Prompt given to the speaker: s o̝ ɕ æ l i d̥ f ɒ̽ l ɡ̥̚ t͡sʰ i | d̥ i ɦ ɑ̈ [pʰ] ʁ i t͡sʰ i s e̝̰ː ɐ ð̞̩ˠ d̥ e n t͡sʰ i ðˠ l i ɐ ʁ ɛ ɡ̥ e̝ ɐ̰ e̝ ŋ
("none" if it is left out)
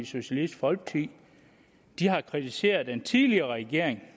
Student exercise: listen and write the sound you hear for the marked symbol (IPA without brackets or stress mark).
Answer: kʰ